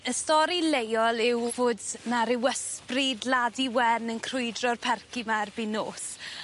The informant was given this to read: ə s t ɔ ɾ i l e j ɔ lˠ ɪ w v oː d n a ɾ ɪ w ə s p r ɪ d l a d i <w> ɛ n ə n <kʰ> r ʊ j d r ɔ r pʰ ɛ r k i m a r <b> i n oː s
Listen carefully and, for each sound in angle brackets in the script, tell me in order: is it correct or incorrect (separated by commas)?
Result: correct, correct, correct